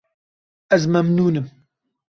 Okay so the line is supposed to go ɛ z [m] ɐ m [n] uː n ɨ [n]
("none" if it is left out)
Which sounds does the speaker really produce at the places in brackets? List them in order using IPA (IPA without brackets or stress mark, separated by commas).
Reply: m, n, m